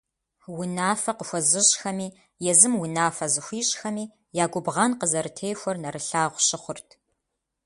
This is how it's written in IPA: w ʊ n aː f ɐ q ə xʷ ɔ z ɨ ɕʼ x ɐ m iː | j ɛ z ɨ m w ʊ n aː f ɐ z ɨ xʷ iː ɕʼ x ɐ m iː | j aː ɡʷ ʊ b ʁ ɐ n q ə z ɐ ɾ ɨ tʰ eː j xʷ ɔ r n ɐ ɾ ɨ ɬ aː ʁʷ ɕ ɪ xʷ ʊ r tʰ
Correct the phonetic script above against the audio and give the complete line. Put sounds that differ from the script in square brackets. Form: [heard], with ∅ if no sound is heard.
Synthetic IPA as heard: w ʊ n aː f ɐ q ə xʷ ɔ z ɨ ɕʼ x ɐ m iː | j ɛ z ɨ m w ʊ n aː f ɐ z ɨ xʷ iː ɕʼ x ɐ m iː | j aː ɡʷ ʊ b ʁ ɐ n q ə z ɐ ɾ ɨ tʰ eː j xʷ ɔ r n ɐ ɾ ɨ ɬ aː ʁʷ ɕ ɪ [χʷ] ʊ r tʰ